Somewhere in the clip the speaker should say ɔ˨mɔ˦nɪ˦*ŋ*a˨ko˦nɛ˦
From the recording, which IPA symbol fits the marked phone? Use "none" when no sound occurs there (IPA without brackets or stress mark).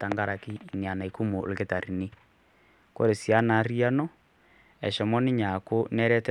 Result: ɲ